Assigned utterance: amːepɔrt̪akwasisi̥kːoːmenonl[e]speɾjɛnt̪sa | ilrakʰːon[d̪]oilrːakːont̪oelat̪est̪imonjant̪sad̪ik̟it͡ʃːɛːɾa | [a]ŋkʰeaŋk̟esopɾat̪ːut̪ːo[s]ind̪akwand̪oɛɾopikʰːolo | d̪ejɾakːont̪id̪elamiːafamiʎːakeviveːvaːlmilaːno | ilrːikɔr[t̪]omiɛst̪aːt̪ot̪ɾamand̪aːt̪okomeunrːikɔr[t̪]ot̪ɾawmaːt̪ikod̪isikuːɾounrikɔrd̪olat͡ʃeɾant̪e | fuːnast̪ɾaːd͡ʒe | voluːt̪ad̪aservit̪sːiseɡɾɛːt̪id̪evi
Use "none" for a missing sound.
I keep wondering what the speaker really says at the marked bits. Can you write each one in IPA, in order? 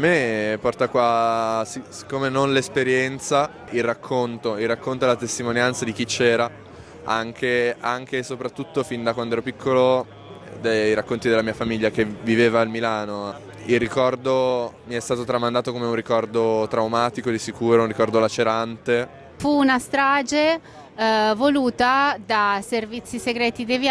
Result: e, t̪, a, f, d̪, d̪

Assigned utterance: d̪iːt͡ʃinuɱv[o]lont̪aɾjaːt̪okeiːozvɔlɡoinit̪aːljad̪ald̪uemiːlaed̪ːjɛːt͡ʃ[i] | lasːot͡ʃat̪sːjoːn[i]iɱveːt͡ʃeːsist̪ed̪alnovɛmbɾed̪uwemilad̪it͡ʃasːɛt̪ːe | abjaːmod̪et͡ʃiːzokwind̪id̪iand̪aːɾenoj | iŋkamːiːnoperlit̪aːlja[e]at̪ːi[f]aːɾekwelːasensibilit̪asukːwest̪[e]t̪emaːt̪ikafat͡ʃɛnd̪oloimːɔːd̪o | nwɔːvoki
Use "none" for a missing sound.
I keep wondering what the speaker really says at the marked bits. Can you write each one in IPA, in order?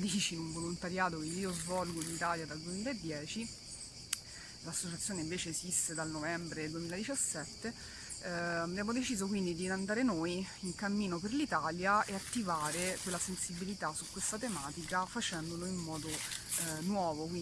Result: o, i, e, e, v, a

